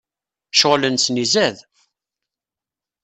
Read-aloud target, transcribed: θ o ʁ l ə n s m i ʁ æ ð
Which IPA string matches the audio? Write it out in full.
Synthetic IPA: ʃ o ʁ l ə n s n i z æ ð